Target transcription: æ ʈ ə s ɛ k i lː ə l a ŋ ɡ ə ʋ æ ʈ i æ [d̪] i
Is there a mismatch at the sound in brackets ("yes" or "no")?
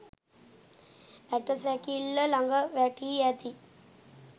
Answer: yes